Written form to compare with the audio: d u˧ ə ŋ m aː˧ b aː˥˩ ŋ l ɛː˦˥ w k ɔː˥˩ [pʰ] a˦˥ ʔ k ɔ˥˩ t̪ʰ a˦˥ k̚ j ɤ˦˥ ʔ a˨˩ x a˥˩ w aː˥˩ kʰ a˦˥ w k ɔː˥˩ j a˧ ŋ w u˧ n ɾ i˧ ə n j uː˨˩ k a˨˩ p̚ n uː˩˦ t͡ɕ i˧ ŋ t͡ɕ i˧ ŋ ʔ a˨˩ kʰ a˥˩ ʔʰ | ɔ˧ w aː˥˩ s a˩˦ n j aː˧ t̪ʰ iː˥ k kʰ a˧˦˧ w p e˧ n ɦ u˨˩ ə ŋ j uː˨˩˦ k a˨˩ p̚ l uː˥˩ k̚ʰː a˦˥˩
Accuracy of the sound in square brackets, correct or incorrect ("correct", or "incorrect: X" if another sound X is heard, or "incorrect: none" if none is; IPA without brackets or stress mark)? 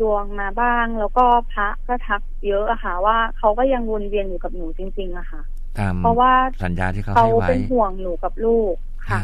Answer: correct